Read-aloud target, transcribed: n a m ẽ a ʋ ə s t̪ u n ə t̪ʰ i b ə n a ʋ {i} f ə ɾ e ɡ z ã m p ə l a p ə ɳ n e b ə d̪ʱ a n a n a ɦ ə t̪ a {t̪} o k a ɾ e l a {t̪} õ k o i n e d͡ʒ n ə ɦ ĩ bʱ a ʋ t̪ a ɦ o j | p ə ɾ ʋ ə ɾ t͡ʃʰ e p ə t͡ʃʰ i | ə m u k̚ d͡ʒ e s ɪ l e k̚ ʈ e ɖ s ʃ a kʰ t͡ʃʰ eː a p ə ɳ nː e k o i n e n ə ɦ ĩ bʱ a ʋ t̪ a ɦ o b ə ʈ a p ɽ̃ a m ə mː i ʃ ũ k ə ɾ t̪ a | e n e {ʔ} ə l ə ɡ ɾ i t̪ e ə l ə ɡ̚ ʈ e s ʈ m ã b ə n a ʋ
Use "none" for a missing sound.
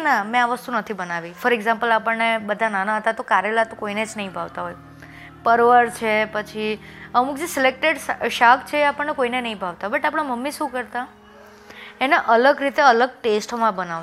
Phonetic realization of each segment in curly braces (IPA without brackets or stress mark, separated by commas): i, t̪, t̪, ʔ